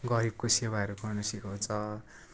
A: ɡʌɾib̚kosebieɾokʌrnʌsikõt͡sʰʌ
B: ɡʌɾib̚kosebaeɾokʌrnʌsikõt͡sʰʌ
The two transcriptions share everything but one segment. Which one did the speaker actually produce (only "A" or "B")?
B